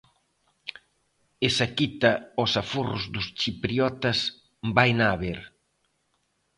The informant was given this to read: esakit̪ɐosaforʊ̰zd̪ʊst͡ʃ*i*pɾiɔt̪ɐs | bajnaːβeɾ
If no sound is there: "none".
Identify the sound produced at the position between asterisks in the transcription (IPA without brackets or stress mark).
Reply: i